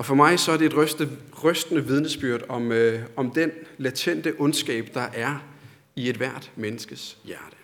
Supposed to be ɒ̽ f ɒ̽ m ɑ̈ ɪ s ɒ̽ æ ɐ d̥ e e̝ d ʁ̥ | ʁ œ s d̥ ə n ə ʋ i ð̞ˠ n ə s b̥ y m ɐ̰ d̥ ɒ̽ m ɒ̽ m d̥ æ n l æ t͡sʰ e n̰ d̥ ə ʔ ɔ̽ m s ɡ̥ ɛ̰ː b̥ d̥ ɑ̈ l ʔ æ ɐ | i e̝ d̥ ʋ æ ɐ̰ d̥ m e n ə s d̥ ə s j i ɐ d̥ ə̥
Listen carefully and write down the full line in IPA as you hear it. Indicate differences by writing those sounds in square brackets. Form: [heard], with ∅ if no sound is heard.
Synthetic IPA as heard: ɒ̽ f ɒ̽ m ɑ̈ ɪ s ɒ̽ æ ɐ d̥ e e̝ d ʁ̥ | ʁ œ s d̥ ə n ə ʋ i ð̞ˠ n ə s b̥ y [∅] ɐ̰ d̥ ɒ̽ m ɒ̽ m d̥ [e] n l æ t͡sʰ e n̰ d̥ ə ʔ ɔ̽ [n] s ɡ̥ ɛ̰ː b̥ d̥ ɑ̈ [∅] ʔ æ ɐ | i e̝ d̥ ʋ æ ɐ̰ d̥ m e n ə s [ɡ̥] ə s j [æ] ɐ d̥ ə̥